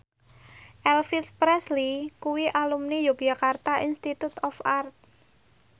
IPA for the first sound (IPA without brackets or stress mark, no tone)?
ʔ